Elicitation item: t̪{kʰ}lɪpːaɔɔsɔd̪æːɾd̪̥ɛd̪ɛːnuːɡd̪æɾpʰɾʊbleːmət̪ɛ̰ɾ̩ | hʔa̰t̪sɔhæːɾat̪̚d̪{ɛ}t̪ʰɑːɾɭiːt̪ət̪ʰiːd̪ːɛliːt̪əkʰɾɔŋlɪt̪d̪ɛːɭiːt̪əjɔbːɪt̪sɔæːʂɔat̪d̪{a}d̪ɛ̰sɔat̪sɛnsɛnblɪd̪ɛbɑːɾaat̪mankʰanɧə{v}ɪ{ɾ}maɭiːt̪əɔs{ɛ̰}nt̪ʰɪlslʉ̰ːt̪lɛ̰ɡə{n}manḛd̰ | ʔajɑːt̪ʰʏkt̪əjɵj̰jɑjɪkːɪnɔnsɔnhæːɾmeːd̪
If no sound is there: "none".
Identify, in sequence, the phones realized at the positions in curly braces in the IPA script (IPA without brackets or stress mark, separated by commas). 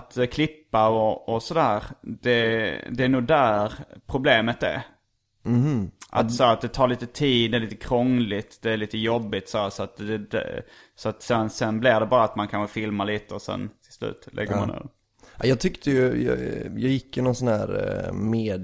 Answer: kʰ, ɛ, ɛ, f, l, ɛ̰, m